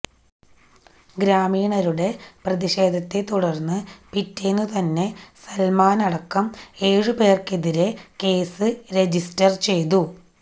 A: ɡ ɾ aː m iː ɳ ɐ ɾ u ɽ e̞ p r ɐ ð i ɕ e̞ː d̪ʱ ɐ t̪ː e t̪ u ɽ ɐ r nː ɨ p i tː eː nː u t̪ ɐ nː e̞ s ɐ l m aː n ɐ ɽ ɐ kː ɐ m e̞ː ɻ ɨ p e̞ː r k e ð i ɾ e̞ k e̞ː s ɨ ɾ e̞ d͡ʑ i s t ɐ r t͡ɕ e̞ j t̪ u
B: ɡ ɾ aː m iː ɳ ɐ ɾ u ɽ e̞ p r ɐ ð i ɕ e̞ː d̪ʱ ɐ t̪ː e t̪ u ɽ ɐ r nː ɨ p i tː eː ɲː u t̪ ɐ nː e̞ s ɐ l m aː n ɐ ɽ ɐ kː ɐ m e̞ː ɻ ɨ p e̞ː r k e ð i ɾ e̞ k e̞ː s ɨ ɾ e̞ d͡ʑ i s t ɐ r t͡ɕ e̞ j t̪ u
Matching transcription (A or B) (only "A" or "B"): A